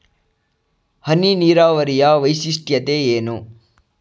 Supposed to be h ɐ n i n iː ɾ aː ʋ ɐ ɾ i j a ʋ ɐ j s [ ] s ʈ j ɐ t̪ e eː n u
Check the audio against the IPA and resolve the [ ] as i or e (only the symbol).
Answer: i